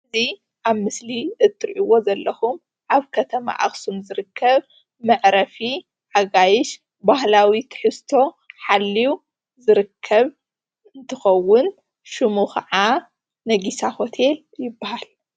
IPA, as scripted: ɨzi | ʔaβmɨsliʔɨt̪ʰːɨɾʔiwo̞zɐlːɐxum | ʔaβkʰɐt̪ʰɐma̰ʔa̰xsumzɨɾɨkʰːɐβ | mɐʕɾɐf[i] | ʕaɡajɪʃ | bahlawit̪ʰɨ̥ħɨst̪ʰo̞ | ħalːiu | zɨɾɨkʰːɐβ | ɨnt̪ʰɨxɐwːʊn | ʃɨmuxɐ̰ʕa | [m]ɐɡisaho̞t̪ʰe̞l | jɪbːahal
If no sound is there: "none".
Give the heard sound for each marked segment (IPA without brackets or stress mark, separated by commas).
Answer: i, n